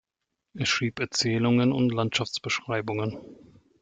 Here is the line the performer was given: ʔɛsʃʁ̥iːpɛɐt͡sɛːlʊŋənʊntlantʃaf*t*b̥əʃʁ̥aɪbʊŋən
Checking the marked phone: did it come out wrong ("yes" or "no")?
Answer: yes